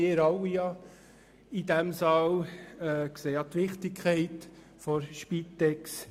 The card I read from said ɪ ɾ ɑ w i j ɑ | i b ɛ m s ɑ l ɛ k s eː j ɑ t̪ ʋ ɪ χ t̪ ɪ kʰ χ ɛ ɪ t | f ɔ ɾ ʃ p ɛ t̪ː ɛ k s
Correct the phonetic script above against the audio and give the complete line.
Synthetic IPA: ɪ ɾ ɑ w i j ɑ | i d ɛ m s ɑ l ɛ k s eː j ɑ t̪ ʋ ɪ χ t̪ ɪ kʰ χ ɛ ɪ t | f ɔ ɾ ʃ p i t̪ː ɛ k s